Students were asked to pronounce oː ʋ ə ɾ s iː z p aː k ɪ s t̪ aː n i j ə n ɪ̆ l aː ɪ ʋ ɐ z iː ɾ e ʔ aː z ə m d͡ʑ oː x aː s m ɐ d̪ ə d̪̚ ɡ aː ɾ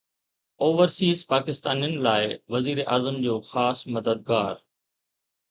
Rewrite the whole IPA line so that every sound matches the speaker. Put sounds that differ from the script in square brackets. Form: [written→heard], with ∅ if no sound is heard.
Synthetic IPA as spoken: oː ʋ ə ɾ s iː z p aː k ɪ s t̪ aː n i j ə n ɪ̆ l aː ɪ ʋ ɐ z iː ɾ e ʔ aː z ə m d͡ʑ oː x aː s m ɐ d̪ ə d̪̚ ɡ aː ɾ